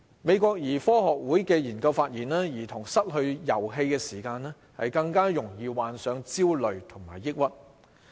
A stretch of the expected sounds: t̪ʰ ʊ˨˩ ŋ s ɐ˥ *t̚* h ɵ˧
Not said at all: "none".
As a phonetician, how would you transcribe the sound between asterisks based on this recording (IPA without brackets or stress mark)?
t̚